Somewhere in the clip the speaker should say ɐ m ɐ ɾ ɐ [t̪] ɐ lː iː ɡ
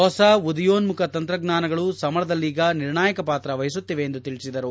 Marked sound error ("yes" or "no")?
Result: yes